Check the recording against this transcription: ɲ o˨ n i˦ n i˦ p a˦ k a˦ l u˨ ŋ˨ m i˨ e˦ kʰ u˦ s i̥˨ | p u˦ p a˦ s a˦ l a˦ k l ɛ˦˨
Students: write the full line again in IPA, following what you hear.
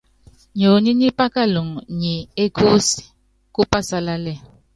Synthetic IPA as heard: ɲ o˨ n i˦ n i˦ p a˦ k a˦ l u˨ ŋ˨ ɲ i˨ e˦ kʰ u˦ s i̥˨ | k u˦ p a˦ s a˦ l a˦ l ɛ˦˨